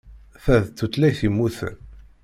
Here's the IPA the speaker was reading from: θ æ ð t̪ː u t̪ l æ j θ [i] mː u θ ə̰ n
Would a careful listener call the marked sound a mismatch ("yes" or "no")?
no